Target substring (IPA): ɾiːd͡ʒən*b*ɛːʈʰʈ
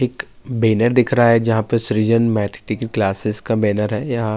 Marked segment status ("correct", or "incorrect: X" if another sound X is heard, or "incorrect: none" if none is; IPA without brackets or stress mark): incorrect: m